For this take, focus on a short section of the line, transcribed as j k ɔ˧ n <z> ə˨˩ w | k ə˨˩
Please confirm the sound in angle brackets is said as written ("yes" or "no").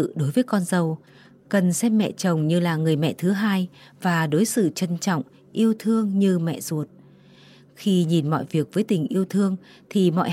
yes